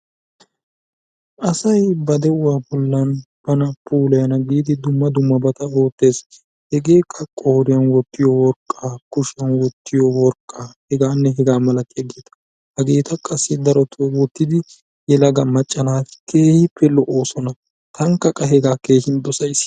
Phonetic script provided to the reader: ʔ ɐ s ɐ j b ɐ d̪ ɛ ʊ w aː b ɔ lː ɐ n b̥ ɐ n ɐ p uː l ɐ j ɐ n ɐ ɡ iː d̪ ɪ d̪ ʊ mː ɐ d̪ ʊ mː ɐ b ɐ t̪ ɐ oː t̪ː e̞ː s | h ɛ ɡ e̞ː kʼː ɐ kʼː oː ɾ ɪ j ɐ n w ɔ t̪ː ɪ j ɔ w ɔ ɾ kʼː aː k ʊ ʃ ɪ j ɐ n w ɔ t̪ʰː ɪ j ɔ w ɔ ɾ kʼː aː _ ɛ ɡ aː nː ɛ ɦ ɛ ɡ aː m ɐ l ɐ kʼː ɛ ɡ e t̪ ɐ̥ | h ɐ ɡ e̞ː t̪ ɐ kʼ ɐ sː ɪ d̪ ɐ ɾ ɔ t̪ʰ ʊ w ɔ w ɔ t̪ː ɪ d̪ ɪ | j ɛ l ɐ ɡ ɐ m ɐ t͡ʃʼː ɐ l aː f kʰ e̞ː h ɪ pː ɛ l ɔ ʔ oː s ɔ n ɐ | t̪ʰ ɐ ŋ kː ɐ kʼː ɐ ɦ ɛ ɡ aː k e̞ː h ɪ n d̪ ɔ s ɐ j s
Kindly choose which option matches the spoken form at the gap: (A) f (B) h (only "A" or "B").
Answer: B